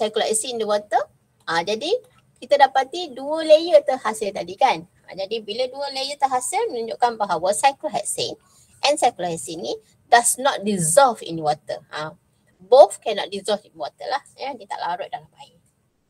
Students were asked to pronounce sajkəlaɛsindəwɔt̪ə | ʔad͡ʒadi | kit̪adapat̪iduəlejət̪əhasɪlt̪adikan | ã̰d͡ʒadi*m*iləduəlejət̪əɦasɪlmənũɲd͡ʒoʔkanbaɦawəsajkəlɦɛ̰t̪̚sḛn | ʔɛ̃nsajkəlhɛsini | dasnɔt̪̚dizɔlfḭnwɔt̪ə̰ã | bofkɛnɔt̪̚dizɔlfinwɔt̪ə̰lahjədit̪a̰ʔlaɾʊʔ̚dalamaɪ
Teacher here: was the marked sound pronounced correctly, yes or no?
no